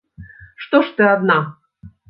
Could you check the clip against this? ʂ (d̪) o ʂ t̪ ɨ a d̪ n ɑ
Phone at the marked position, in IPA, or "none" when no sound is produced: t̪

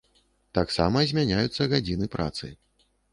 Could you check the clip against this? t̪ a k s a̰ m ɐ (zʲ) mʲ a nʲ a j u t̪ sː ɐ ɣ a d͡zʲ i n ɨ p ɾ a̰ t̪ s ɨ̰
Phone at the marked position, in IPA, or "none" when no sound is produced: zʲ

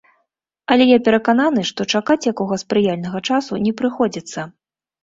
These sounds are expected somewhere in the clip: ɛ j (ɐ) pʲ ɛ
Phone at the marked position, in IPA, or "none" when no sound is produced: a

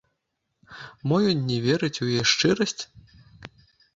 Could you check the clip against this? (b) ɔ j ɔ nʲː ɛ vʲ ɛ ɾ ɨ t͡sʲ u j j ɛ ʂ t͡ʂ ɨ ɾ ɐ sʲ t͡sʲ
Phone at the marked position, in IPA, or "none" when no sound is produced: m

